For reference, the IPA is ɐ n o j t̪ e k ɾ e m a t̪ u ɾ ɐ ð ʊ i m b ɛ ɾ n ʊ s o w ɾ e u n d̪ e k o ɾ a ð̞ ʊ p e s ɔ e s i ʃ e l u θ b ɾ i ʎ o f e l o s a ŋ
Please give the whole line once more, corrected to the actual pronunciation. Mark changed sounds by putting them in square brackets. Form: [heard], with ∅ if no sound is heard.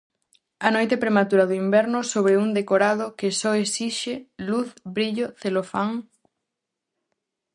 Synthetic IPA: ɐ n o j t̪ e [p] ɾ e m a t̪ u ɾ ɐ ð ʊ i m b ɛ ɾ n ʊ s o [β] ɾ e u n d̪ e k o ɾ a ð̞ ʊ [k] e s ɔ e s i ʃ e l u θ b ɾ i ʎ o [θ] e l o [f] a ŋ